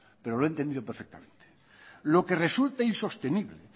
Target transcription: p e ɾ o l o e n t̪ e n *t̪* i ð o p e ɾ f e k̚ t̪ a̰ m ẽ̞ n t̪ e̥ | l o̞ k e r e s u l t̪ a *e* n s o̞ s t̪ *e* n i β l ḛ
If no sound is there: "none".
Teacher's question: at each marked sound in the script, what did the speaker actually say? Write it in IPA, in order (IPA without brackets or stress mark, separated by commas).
d̪, i, e